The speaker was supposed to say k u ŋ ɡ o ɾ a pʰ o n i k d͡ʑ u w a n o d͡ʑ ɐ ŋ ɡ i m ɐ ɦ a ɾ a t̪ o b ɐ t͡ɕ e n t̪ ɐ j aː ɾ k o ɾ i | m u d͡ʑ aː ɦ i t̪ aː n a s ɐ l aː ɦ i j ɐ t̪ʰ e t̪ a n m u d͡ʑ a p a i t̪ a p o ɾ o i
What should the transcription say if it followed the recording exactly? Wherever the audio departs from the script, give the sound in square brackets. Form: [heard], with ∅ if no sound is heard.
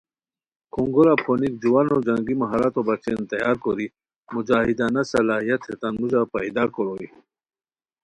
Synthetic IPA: k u ŋ ɡ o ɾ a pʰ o n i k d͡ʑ u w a n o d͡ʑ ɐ ŋ ɡ i m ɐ ɦ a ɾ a t̪ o b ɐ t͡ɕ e n t̪ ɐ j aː ɾ k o ɾ i | m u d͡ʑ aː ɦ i [d̪] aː n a s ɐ l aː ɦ i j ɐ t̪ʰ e t̪ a n m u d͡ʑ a p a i [d̪] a [k] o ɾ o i